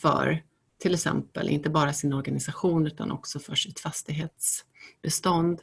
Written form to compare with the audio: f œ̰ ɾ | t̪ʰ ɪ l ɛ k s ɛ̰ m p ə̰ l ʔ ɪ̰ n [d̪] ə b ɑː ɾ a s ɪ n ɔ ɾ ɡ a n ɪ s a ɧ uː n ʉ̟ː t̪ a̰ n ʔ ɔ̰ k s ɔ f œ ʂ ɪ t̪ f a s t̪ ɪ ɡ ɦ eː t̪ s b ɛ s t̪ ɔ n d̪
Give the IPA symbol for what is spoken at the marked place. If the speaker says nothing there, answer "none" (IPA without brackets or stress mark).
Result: t̪